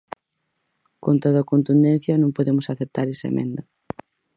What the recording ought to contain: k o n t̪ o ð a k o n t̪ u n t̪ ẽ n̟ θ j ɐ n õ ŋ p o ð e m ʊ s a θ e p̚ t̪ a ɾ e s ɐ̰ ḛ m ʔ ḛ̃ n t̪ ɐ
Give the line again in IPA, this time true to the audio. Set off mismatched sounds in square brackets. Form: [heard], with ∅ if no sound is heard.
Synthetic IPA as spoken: k o n t̪ o ð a k o n t̪ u n [d̪] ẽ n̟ θ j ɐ n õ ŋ p o ð e m ʊ s a θ e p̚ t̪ a ɾ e s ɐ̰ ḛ m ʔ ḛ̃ n [d̪] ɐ